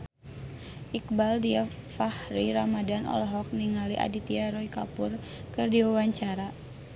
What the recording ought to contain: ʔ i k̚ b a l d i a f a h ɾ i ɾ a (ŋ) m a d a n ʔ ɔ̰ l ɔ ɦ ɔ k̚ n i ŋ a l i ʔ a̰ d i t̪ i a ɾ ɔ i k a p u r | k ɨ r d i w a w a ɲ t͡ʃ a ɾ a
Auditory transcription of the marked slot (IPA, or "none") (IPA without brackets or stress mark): none